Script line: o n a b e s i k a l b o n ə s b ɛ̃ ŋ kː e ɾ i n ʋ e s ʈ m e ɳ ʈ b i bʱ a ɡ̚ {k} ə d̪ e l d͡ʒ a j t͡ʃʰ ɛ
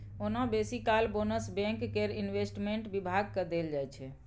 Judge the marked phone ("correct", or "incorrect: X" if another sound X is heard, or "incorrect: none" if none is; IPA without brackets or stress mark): correct